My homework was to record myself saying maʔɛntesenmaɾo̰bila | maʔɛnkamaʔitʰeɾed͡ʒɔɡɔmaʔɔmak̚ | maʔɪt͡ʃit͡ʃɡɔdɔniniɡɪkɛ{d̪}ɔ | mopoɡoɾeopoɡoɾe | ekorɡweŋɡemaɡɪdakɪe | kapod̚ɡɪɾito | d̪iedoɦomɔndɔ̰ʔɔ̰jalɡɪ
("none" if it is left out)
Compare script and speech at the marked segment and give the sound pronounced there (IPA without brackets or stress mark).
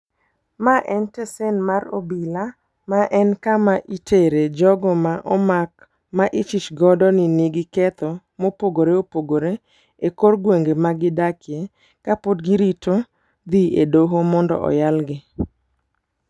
t̪